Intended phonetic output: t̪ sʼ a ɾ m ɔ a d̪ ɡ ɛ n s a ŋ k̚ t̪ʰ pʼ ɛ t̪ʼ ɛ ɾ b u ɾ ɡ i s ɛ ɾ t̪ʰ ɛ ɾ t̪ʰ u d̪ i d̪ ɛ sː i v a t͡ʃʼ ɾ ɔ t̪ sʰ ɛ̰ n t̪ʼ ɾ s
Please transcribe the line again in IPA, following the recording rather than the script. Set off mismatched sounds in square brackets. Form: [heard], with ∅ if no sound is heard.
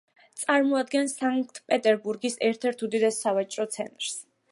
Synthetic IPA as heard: t̪ sʼ a ɾ m ɔ a d̪ ɡ ɛ n s a ŋ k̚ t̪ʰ pʼ ɛ t̪ʼ ɛ ɾ b u ɾ ɡ i s ɛ ɾ t̪ʰ ɛ ɾ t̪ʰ u d̪ i d̪ ɛ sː [a] v a t͡ʃʼ ɾ ɔ t̪ sʰ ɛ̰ n t̪ʼ ɾ s